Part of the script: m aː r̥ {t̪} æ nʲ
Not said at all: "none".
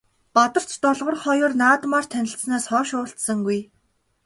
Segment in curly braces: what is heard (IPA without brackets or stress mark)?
t̪ʰ